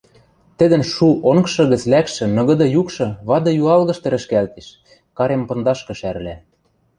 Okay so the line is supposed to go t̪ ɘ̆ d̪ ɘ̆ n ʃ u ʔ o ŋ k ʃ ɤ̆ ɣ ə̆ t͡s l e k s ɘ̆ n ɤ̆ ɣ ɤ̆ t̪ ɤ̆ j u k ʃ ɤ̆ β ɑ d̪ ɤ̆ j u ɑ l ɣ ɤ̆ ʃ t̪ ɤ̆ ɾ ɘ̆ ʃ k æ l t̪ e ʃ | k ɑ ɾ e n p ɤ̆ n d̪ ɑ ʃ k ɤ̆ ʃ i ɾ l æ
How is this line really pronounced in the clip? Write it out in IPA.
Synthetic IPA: t̪ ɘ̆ d̪ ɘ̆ n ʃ u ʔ o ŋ k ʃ ɤ̆ ɣ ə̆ t͡s l æ k ʃ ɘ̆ n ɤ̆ ɣ ɤ̆ d̪ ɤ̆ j u k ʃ ɤ̆ β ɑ d̪ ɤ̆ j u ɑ l ɣ ɤ̆ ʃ t̪ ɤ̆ ɾ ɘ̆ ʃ k æ l t̪ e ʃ | k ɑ ɾ e m p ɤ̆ n d̪ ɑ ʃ k ɤ̆ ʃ æ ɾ l æ